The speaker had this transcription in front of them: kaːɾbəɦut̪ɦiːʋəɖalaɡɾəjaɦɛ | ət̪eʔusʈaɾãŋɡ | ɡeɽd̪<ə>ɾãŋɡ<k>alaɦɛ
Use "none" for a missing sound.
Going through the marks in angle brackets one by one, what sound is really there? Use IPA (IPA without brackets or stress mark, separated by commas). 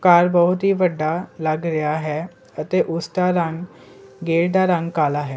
a, k